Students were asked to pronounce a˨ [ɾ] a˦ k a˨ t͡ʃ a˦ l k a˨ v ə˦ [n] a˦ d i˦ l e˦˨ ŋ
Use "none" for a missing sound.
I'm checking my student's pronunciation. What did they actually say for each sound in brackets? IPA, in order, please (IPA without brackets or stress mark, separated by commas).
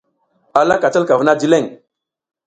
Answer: l, n